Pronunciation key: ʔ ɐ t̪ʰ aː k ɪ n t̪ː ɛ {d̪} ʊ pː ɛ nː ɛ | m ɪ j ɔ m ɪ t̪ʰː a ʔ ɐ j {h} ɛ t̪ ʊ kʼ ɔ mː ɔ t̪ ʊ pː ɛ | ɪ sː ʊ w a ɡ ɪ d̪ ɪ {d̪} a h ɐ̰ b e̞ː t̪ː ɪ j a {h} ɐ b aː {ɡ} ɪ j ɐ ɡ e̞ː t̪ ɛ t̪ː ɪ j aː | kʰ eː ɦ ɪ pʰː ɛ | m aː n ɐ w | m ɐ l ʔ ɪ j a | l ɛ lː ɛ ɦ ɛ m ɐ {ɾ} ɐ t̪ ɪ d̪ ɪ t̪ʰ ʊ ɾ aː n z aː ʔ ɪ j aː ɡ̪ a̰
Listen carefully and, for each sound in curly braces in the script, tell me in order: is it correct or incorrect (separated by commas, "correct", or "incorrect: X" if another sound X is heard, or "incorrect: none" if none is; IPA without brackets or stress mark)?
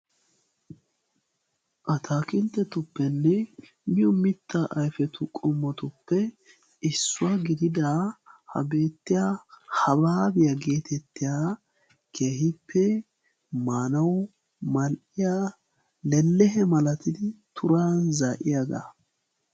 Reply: incorrect: t̪, incorrect: f, correct, correct, incorrect: b, incorrect: l